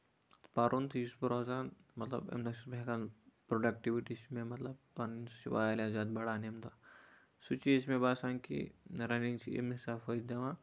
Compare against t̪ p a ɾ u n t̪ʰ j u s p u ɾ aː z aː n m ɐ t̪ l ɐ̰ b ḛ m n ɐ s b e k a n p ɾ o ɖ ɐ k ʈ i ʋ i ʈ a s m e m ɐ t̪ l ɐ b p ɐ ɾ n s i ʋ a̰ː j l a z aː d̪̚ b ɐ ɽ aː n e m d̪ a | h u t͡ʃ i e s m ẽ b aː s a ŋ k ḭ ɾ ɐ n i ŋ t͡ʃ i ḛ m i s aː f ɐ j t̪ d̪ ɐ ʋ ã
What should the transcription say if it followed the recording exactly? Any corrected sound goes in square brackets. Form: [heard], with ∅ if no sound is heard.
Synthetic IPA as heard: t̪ p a ɾ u n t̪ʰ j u s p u ɾ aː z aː n m ɐ t̪ l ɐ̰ b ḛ m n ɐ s b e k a n p ɾ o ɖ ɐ k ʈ i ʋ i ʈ [i] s m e m ɐ t̪ l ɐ b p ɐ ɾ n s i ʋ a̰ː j l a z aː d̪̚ b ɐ ɽ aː n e m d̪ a | [s] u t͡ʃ i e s m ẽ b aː s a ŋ k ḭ ɾ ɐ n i ŋ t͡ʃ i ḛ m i s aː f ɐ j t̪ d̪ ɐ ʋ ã